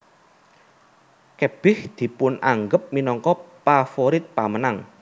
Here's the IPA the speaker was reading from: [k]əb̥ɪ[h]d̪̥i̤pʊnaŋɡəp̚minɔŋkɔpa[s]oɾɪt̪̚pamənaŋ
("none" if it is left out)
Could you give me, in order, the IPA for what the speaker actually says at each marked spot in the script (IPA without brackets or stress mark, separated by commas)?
k, h, f